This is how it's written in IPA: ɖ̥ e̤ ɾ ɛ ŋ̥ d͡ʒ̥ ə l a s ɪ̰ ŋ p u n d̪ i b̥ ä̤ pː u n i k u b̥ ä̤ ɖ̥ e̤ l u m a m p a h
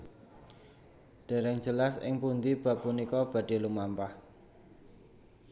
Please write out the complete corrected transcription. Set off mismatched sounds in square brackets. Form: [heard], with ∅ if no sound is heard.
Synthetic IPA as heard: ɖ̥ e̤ ɾ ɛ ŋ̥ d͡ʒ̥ ə l a s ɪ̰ ŋ p u n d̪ i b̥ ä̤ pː u n i k [ɔ] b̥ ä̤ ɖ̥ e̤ l u m a m p a h